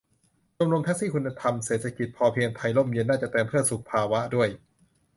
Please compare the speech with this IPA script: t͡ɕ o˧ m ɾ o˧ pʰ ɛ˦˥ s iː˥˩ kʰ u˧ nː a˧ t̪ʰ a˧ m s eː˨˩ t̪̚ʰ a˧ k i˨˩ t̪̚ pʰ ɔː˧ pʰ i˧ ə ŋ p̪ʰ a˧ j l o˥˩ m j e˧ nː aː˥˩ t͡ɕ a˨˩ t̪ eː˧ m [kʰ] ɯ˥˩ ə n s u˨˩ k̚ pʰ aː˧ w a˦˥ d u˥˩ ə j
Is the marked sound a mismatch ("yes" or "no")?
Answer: yes